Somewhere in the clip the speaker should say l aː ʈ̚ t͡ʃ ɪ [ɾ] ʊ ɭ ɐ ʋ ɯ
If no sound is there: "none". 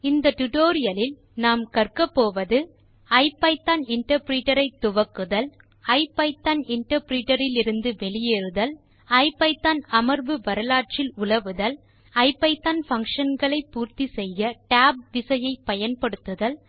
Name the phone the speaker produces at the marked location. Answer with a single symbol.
l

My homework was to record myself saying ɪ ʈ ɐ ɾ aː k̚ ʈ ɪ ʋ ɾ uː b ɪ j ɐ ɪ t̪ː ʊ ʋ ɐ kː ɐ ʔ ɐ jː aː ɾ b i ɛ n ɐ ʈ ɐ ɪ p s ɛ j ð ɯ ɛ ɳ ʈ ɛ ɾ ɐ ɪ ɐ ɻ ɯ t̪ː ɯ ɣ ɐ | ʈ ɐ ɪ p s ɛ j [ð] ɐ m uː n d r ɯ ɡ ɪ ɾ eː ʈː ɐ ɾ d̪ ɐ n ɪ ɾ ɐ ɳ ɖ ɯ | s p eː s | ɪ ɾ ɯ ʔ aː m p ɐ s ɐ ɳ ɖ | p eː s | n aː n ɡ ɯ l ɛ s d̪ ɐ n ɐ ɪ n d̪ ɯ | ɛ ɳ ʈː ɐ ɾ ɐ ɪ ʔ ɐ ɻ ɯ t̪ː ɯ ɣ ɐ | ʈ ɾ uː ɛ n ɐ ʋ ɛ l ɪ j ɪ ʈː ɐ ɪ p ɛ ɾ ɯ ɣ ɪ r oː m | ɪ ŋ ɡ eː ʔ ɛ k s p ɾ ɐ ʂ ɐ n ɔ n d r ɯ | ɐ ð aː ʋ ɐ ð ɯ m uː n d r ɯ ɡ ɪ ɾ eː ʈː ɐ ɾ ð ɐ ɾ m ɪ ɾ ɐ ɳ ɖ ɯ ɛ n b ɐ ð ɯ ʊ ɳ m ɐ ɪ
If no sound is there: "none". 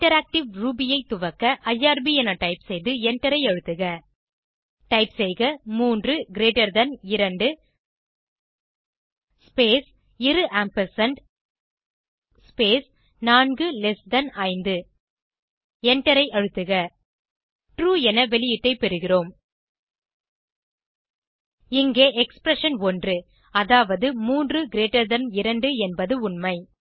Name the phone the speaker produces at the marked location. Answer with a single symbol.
ɣ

